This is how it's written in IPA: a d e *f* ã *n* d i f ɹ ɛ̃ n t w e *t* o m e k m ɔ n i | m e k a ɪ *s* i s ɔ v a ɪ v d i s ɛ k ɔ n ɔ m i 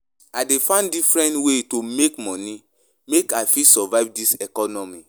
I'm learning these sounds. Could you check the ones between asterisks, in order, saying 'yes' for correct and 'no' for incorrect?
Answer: yes, yes, yes, no

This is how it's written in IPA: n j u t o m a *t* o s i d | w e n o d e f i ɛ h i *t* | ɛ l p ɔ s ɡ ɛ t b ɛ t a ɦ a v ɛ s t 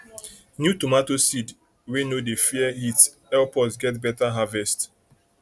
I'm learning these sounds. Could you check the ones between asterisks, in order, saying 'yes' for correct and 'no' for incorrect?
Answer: yes, yes

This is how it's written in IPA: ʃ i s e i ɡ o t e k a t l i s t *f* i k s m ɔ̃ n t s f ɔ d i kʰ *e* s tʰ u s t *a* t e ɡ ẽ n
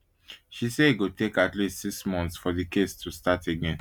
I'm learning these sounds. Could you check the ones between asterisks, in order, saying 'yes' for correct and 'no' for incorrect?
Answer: no, yes, yes

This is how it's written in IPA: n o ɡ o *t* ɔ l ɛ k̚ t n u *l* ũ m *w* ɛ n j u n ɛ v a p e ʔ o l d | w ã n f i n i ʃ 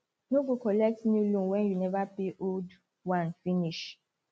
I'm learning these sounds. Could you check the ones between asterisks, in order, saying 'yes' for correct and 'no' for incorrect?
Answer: no, yes, yes

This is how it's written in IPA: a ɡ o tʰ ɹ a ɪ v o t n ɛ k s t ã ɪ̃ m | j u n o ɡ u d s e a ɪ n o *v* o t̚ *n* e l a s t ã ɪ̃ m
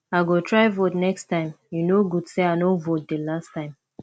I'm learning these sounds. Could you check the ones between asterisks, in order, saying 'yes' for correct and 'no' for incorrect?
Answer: yes, no

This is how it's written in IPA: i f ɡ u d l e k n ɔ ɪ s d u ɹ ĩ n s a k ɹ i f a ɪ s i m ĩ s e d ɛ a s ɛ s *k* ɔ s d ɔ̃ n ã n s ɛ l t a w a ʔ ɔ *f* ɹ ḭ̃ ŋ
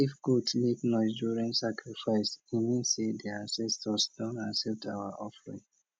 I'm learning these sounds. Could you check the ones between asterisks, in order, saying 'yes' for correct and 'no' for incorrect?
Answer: no, yes

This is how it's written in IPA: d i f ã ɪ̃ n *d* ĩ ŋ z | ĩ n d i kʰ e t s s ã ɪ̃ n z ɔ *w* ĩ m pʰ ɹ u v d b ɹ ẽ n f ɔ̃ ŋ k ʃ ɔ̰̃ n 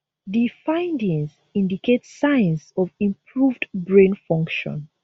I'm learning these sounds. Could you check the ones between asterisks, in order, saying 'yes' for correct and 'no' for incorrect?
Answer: yes, no

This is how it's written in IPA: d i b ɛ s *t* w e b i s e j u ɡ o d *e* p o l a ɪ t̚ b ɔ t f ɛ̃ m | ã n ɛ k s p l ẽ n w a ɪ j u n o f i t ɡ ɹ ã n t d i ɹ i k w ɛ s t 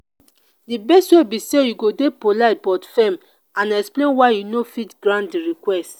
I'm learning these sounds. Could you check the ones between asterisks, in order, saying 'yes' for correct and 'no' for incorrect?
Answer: yes, yes

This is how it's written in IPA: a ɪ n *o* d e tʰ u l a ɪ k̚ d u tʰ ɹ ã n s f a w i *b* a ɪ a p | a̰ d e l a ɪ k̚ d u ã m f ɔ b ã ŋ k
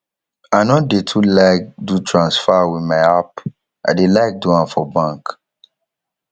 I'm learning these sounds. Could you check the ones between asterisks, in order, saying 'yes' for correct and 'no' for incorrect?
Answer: no, no

